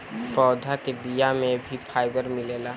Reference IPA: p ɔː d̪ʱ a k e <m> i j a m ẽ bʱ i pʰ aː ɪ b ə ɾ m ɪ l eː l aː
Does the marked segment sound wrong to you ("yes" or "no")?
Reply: yes